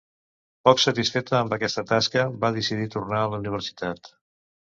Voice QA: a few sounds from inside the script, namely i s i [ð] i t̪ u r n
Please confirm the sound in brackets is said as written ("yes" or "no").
yes